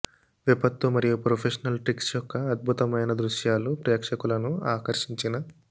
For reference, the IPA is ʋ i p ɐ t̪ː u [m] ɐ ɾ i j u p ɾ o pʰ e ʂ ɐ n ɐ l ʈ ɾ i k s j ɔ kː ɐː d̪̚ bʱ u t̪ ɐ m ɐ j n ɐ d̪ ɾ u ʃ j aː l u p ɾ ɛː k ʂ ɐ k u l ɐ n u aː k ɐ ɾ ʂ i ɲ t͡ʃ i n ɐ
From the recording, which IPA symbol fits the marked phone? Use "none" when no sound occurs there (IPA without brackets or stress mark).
m